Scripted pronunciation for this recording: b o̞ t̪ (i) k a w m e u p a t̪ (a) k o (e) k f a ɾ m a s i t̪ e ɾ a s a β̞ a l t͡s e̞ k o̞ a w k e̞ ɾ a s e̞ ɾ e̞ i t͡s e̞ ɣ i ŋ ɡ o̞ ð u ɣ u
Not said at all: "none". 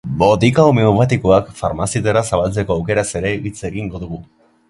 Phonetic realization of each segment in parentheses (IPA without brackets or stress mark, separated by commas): i, i, a